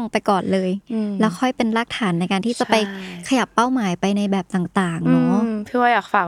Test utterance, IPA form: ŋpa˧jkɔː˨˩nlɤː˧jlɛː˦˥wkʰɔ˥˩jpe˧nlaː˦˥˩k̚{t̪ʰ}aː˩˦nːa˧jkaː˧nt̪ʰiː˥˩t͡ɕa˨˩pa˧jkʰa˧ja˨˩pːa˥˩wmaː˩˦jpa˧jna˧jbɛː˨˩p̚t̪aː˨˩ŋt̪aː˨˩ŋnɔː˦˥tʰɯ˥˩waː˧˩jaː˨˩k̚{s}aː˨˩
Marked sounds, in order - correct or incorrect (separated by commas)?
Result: correct, incorrect